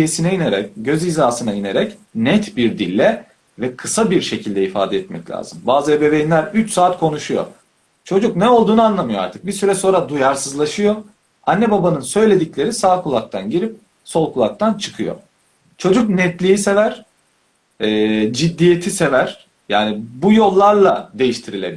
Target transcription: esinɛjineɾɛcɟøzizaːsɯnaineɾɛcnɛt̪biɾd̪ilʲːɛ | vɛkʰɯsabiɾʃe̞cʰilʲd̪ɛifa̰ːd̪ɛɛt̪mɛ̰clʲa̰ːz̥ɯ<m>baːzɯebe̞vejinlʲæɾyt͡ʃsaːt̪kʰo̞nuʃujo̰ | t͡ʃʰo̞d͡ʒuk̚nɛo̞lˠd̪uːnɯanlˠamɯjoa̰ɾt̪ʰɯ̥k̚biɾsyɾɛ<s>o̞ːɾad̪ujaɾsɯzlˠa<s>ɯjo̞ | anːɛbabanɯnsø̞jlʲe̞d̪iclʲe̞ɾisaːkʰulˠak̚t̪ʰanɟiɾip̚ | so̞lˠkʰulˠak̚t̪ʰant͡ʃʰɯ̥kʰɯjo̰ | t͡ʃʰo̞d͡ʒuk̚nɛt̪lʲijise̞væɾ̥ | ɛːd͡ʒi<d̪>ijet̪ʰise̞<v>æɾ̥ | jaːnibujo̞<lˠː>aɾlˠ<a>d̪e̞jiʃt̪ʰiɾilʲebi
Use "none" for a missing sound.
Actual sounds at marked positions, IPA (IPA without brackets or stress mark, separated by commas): m, s, ʃ, d̪ː, v, lˠː, a